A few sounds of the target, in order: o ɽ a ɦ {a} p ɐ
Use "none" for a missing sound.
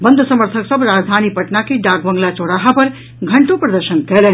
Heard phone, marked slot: a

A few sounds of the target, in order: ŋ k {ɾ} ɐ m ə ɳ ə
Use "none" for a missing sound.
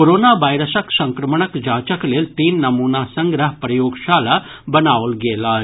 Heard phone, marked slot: ɾ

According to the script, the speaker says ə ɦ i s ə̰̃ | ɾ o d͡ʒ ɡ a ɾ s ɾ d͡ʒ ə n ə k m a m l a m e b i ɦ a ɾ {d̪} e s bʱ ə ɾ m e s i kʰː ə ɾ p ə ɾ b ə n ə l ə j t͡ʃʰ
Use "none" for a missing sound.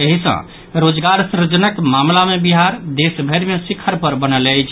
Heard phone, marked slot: d̪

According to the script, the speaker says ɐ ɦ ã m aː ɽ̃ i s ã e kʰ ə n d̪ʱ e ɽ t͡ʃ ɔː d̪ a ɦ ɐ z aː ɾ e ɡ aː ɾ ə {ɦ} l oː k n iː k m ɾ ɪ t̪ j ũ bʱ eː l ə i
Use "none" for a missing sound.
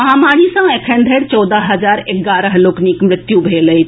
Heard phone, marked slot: ɦ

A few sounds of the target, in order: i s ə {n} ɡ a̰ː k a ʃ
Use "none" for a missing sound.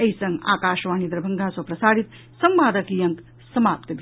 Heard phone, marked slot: ŋ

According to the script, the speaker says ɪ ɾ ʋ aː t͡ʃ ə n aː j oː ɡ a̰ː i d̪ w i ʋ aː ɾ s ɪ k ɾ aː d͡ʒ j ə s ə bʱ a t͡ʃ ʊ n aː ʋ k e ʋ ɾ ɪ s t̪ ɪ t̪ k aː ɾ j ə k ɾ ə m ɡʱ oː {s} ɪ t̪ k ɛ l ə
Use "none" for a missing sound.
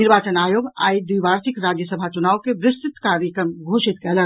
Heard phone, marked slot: ʃ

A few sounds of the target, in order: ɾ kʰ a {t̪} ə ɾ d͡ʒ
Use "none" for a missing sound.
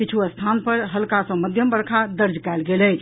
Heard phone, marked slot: d̪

